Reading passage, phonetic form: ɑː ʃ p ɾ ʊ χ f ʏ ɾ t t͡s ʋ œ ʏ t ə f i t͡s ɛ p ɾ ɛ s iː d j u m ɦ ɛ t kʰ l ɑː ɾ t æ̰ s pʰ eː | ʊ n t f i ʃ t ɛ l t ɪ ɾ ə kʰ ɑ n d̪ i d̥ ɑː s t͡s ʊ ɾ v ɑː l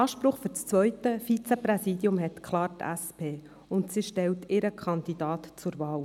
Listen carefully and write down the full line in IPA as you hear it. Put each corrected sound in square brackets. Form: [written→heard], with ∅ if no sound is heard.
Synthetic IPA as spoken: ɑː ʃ p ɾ ʊ χ f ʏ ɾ [t→t͡s] t͡s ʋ œ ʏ t ə f i t͡s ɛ p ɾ ɛ s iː d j [u→ʊ] m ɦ ɛ t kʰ l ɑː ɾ t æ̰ s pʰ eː | ʊ n t [f→s] i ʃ t ɛ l t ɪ ɾ ə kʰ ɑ n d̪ i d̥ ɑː [s→t] t͡s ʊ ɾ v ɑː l